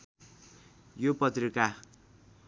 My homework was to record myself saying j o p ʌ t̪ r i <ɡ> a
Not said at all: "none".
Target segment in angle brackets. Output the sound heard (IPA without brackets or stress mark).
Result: k